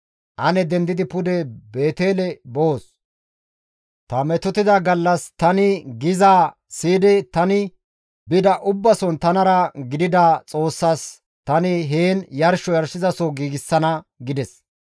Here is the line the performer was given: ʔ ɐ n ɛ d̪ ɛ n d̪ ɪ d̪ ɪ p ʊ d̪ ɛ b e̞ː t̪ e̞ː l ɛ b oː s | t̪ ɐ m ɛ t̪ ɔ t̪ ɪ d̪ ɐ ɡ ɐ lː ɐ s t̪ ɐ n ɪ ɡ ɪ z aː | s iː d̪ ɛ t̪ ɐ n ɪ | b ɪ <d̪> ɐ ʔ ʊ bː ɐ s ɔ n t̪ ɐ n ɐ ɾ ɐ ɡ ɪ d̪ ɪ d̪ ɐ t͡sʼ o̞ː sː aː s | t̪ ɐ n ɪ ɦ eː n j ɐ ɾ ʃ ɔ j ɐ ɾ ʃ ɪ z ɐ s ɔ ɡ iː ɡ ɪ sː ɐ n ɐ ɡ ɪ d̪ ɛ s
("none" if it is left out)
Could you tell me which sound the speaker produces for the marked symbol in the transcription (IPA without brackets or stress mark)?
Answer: d̪